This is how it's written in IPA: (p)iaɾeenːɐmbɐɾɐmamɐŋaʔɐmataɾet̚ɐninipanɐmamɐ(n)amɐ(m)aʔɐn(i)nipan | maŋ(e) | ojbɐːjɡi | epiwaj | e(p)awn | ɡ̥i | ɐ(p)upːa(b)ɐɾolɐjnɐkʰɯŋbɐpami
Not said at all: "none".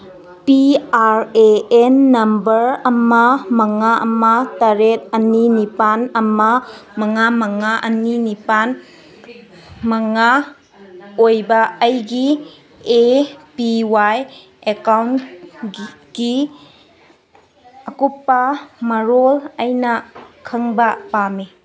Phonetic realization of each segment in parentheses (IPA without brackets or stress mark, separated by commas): p, ŋ, ŋ, i, a, k, k, m